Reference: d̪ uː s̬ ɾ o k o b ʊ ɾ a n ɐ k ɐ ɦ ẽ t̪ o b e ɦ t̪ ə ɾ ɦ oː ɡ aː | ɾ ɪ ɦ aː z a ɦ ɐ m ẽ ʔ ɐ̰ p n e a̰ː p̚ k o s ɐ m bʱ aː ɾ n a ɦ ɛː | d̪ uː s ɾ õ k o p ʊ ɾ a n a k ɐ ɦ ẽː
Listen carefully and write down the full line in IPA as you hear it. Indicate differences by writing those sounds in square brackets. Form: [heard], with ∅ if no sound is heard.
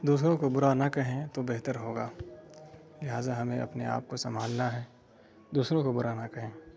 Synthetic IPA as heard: d̪ uː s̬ ɾ [õ] k o b ʊ ɾ a n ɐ k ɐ ɦ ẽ t̪ o b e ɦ t̪ ə ɾ ɦ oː ɡ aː | [l] ɪ ɦ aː z a ɦ ɐ m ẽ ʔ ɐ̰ p n e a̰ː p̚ k o s ɐ m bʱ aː [l] n a ɦ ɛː | d̪ uː s ɾ õ k o [b] ʊ ɾ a n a k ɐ ɦ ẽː

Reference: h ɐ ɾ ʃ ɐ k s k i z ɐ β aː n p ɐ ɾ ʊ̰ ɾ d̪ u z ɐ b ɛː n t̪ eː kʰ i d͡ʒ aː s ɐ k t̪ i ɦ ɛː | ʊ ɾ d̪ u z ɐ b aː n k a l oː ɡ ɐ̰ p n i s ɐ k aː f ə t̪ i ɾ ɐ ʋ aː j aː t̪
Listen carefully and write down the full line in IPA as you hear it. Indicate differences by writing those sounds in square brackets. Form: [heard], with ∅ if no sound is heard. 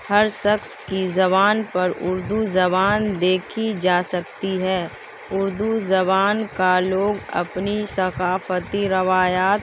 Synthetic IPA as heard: h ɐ ɾ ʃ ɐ k s k i z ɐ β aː n p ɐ ɾ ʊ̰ ɾ d̪ u z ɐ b [aː] n [d̪] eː kʰ i d͡ʒ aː s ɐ k t̪ i ɦ ɛː | ʊ ɾ d̪ u z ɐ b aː n k a l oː ɡ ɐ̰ p n i s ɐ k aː f ə t̪ i ɾ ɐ ʋ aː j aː t̪

